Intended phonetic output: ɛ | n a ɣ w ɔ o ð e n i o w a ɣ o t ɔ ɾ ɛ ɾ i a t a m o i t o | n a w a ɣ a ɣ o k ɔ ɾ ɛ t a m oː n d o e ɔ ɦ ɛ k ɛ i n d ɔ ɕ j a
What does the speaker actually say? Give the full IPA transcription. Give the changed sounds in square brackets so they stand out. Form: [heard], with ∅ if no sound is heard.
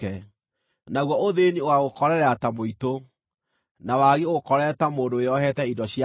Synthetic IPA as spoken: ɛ | n a ɣ w ɔ o ð e n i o w a ɣ o [k] ɔ ɾ ɛ ɾ [ɛ] a t a m o i t o | n a w a ɣ [e] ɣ o k ɔ ɾ ɛ t a m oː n d o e ɔ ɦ ɛ [t] ɛ i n d ɔ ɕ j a